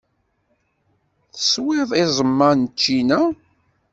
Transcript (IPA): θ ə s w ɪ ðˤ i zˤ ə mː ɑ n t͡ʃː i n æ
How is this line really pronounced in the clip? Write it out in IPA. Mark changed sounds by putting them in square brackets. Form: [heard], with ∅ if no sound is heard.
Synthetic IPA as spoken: θ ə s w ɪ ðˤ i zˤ ə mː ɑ n t͡ʃː i n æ